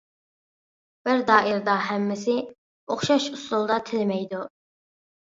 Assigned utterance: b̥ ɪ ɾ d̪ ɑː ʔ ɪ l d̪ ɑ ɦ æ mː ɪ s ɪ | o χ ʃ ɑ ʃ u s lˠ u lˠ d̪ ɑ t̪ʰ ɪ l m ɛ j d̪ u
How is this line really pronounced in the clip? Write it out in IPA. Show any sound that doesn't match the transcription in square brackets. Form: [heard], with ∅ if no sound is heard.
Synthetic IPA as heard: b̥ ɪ ɾ d̪ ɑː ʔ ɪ [ɾ] d̪ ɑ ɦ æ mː ɪ s ɪ | o χ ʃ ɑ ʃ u s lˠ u lˠ d̪ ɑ t̪ʰ ɪ l m ɛ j d̪ u